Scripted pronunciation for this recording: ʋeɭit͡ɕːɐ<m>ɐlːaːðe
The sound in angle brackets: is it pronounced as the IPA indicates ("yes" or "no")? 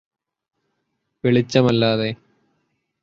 yes